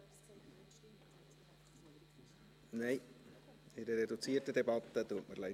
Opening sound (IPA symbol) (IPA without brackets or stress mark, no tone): n